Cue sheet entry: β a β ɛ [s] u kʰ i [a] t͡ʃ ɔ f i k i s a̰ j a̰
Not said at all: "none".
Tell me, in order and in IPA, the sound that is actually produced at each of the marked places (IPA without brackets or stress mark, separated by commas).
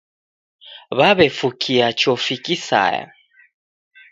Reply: f, a